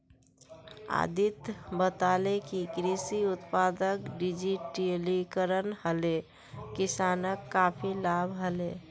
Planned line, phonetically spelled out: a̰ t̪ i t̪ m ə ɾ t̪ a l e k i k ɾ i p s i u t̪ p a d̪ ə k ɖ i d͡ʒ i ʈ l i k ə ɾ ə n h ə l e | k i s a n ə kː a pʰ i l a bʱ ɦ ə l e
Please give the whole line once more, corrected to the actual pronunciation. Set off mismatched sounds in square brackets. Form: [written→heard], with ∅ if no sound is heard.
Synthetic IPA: a̰ [t̪→d̪] i t̪ [m→b] ə [ɾ→∅] t̪ a l e k i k ɾ i [p→∅] s i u t̪ p a d̪ ə k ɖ i d͡ʒ i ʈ l i k ə ɾ ə n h ə l e | k i s a n ə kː a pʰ i l a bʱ ɦ ə l e

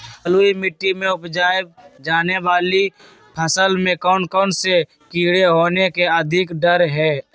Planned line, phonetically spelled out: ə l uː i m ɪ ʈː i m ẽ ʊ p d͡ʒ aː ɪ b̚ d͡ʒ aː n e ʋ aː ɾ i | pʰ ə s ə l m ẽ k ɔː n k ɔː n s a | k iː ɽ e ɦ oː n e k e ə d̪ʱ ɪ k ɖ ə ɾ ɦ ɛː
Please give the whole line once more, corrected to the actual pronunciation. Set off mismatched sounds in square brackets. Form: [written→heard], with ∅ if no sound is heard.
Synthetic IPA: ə l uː i m ɪ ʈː i m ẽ ʊ p d͡ʒ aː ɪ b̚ d͡ʒ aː n e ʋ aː [ɾ→l] i | pʰ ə s ə l m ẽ k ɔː n k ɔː n s [a→e] | k iː ɽ e ɦ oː n e k e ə d̪ʱ ɪ k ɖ ə ɾ ɦ ɛː

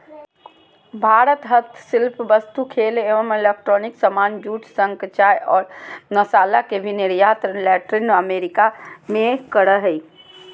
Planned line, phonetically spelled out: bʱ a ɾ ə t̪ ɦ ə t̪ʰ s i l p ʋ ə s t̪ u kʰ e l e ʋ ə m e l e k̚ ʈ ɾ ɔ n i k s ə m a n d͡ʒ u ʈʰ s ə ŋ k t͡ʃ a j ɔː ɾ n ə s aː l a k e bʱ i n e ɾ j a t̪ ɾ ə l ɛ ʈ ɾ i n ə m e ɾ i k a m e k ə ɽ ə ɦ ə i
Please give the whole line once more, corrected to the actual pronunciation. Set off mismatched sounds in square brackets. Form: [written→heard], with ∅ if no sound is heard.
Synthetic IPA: bʱ a ɾ ə t̪ ɦ ə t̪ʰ s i l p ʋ ə s t̪ u kʰ e l e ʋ ə m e l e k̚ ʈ ɾ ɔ n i k s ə m a n d͡ʒ u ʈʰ s ə ŋ k t͡ʃ a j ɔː ɾ n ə s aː l a k e bʱ i n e ɾ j a t̪ ɾ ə l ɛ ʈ ɾ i n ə m e ɾ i k a m e k ə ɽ ə ɦ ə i

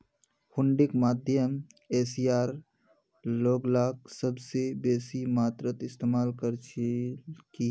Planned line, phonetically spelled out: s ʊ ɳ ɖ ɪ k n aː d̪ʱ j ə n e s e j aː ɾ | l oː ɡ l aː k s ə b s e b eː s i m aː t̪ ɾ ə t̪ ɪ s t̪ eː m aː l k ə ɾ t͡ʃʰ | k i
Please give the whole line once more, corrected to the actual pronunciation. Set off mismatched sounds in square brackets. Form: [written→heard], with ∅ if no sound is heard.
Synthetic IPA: [s→h] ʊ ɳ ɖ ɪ k [n→m] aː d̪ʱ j ə [n→m] e s [e→i] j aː ɾ | l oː ɡ l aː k s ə b s e b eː s i m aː t̪ ɾ ə t̪ ɪ s t̪ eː m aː l k ə ɾ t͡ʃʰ | k i

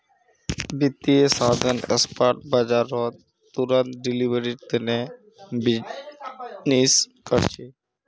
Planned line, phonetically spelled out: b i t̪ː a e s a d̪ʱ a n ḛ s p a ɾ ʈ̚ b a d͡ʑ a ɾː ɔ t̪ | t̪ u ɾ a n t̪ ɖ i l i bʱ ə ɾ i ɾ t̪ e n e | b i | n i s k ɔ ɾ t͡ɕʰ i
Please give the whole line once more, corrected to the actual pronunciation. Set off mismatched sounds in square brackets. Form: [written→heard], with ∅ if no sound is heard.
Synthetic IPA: b i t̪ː [a→i] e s a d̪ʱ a n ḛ s p a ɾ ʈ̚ b a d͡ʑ a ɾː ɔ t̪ | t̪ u ɾ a n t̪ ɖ i l i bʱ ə ɾ i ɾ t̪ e n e | b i | n i s k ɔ ɾ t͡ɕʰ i

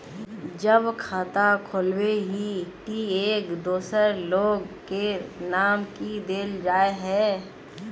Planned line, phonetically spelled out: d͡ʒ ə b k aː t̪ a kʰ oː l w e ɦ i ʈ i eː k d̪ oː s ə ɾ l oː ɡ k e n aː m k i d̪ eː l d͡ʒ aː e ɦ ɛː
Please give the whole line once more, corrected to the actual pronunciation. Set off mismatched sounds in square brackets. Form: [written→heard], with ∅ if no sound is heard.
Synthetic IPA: d͡ʒ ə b [k→kʰ] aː t̪ a kʰ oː l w e ɦ i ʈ i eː k d̪ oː s ə ɾ l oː ɡ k e n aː m k i d̪ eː l d͡ʒ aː e ɦ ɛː

